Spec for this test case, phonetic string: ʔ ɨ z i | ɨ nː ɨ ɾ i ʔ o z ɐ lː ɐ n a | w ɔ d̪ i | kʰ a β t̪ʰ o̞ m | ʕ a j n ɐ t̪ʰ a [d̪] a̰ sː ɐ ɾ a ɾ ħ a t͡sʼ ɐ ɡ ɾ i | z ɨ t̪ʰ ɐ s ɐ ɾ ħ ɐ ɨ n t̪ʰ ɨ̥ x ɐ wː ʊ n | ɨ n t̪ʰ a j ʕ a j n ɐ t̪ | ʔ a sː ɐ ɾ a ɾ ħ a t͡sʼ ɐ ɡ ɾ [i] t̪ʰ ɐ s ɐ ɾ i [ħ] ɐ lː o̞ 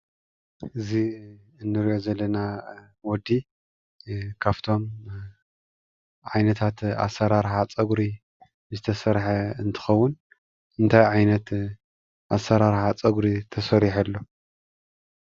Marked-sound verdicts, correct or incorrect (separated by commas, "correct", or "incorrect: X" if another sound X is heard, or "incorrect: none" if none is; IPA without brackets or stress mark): incorrect: t̪, correct, correct